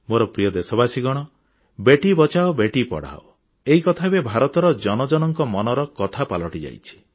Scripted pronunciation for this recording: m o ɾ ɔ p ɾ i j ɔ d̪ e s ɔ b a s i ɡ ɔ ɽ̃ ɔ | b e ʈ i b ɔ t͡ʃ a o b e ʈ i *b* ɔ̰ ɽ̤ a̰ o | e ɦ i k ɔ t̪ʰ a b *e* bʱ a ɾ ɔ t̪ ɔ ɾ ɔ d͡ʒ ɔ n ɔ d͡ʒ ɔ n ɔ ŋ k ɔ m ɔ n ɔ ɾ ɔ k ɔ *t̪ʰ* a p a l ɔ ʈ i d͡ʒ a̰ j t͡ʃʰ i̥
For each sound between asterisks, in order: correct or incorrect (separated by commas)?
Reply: incorrect, correct, correct